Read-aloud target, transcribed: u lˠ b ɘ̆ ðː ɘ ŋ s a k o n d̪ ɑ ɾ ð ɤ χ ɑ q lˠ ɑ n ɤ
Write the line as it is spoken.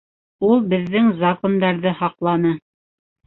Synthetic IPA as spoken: u lˠ b ɘ̆ ðː ɘ ŋ z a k o n d̪ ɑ ɾ ð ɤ h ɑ q lˠ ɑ n ɤ